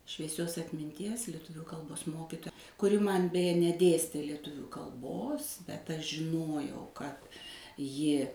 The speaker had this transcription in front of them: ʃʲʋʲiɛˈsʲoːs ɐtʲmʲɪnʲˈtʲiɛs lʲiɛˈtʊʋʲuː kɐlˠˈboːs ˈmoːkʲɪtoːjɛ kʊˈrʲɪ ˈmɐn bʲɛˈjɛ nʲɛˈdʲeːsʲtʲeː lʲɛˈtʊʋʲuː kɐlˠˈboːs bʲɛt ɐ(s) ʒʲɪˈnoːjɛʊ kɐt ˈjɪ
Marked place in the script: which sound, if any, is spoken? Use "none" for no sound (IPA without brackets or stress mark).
ʃ